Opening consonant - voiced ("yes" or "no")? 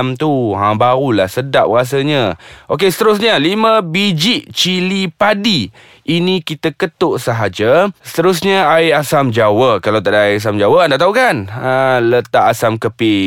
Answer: yes